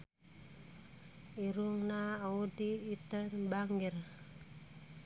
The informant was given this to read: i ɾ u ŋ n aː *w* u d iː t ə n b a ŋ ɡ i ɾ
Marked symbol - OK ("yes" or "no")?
yes